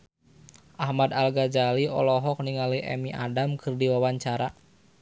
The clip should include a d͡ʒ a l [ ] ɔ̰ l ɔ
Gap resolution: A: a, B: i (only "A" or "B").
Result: B